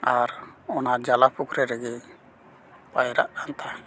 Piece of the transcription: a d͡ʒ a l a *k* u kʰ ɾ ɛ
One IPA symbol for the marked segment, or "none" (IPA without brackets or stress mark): p